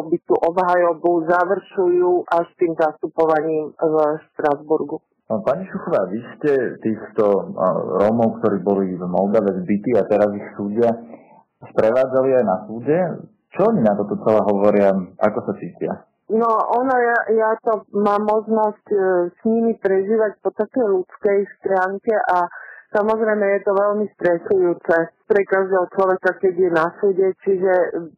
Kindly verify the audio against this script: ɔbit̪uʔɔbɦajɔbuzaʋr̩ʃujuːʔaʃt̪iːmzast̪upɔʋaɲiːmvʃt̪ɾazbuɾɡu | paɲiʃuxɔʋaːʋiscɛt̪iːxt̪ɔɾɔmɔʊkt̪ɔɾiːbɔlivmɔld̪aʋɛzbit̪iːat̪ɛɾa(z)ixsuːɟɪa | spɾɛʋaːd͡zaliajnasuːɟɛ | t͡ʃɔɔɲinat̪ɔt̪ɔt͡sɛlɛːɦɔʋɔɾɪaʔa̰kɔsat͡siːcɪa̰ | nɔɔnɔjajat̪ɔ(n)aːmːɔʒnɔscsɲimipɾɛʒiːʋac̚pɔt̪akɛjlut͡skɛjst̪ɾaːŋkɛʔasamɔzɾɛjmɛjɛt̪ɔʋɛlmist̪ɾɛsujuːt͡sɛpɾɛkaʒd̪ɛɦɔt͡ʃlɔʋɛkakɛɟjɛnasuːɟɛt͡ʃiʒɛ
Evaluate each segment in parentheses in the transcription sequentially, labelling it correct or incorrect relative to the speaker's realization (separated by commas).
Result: correct, incorrect